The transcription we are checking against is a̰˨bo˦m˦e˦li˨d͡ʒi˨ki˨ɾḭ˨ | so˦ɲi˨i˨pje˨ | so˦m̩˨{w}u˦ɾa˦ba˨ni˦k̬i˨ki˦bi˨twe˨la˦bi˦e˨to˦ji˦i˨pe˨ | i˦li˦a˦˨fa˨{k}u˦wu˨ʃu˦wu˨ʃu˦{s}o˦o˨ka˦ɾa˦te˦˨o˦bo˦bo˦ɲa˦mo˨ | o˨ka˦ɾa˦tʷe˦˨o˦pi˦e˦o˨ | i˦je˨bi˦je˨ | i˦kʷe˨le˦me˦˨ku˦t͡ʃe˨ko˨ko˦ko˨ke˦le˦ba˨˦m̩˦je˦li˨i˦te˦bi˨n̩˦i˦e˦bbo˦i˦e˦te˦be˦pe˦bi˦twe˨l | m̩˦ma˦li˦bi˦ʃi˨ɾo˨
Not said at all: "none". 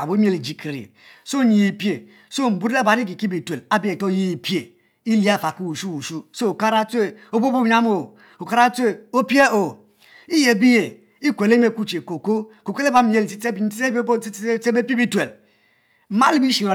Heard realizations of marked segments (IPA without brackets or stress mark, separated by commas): b, k, s